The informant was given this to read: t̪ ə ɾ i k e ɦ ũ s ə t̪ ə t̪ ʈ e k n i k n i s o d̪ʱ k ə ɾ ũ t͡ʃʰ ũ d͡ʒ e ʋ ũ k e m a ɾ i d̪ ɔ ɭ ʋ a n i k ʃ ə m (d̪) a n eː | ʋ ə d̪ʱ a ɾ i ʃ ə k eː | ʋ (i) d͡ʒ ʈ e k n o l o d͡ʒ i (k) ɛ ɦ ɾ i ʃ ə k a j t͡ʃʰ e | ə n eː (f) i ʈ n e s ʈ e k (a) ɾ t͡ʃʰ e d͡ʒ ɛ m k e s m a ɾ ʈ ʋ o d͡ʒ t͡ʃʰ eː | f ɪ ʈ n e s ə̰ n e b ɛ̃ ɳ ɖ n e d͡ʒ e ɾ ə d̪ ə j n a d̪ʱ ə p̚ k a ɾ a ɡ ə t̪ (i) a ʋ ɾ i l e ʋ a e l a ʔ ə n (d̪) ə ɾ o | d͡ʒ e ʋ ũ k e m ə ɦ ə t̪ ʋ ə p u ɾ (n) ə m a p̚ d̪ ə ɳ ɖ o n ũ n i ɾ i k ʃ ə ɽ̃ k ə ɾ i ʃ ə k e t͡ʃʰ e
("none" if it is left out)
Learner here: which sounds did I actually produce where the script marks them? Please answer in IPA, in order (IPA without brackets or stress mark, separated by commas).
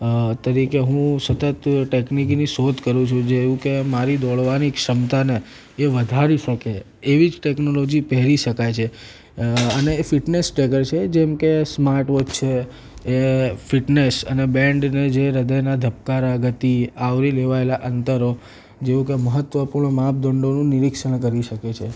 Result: t̪, i, p, f, ə, i, t̪, ɳ